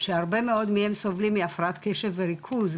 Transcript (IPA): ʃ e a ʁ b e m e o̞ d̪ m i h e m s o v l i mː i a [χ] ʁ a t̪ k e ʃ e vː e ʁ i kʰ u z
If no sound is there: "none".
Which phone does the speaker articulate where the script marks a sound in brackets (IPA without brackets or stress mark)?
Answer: f